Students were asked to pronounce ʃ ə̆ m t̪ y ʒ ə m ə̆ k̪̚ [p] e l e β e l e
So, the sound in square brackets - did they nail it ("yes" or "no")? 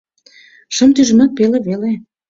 yes